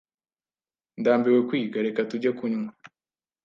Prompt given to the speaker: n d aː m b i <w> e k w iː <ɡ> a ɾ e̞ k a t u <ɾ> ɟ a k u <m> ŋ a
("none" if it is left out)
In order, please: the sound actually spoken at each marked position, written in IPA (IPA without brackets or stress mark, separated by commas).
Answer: w, ɡ, none, ɲ